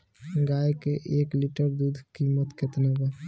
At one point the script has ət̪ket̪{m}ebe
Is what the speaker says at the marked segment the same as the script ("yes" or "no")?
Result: no